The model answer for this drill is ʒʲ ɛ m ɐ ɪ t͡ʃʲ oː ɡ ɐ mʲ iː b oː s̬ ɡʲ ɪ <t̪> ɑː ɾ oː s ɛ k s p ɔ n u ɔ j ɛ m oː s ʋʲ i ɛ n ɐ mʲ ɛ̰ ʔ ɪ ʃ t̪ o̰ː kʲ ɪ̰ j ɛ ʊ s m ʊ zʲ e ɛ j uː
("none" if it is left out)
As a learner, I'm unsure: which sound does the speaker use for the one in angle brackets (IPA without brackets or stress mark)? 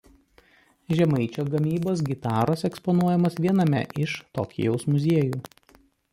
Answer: t̪